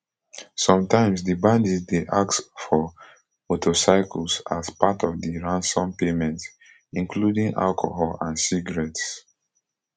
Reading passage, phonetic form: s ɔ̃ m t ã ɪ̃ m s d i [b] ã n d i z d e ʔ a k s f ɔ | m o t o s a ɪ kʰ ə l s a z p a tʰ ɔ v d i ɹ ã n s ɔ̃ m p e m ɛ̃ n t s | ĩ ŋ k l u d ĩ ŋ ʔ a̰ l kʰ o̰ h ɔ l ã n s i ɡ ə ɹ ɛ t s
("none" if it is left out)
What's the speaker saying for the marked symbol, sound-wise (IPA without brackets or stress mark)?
b